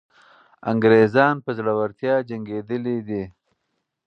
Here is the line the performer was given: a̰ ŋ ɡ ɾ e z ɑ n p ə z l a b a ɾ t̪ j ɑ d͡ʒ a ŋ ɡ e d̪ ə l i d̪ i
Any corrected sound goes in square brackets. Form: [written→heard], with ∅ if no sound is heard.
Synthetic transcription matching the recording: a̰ ŋ ɡ ɾ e z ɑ n p ə z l a [b→w] a ɾ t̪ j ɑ d͡ʒ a ŋ ɡ e d̪ ə l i d̪ i